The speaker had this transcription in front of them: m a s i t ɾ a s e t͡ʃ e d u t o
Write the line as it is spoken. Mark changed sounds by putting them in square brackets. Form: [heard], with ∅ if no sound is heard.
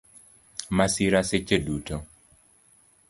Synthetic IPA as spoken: m a s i [∅] ɾ a s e t͡ʃ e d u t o